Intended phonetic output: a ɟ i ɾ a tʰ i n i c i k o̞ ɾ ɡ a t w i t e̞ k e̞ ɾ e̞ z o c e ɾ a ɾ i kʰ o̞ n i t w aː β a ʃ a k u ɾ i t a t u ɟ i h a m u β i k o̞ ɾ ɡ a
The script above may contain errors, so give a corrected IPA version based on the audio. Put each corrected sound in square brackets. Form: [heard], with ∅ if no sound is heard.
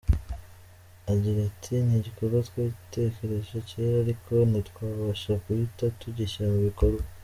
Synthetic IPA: a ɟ i ɾ a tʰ i n i [ɟ] i k o̞ ɾ ɡ a t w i t e̞ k e̞ ɾ e̞ [ʒ] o c e ɾ a ɾ i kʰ o̞ n i t w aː β a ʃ a k u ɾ i t a t u ɟ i [ʃ] a m u β i k o̞ ɾ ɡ a